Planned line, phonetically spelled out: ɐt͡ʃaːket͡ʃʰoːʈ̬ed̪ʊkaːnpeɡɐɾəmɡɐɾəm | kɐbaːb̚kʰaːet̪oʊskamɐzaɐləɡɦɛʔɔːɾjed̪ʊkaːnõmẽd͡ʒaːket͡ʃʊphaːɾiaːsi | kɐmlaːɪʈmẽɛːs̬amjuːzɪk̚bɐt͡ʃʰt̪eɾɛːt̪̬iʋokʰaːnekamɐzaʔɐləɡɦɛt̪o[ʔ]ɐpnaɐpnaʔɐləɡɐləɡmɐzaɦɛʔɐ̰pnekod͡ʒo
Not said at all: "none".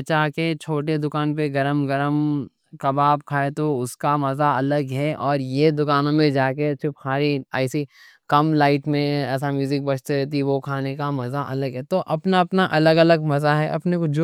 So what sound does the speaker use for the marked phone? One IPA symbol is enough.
ʔ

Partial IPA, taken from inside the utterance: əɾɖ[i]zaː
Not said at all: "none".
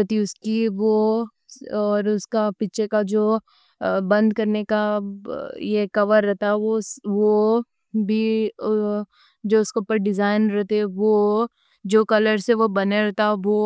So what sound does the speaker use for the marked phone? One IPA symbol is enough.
ɪ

